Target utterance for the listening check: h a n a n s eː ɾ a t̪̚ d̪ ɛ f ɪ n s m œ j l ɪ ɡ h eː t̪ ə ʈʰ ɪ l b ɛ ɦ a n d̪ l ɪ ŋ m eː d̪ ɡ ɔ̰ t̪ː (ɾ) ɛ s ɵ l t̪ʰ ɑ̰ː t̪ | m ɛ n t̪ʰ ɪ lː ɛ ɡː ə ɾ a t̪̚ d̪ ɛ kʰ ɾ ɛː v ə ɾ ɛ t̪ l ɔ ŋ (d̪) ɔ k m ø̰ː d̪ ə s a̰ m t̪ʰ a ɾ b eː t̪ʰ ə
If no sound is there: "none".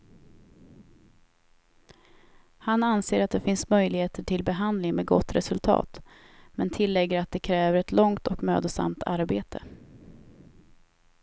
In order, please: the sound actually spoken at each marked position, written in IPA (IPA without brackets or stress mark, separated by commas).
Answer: ɾ, t̪